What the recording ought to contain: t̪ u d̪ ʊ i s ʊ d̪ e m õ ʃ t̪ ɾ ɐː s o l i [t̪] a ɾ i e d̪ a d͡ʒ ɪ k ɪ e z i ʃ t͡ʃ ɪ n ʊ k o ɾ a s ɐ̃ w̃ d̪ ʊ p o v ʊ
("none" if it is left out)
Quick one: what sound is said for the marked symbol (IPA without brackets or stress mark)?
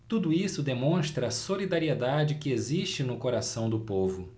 d̪